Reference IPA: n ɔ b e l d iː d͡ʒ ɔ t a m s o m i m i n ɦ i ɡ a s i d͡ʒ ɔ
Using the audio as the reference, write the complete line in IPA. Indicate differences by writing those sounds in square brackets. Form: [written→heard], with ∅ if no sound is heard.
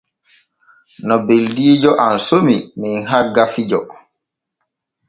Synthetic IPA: n ɔ b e l d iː d͡ʒ ɔ [t→ʔ] a [m→n] s o m i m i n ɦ [i→a] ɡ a [s→f] i d͡ʒ ɔ